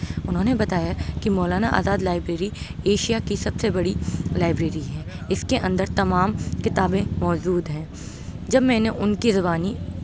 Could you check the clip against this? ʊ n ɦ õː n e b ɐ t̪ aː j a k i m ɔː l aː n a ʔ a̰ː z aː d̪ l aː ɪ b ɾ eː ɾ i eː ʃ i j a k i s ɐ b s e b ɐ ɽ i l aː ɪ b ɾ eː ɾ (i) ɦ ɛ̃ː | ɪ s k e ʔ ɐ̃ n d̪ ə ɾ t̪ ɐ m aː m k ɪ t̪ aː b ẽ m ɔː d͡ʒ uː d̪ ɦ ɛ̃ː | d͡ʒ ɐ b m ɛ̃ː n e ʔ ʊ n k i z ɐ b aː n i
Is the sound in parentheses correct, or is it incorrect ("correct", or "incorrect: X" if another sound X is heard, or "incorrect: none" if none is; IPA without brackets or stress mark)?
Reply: correct